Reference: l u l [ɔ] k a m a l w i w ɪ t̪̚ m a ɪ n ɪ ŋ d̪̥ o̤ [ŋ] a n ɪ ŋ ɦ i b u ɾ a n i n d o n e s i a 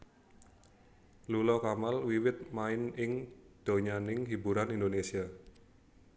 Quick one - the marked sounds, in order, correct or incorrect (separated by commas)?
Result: correct, incorrect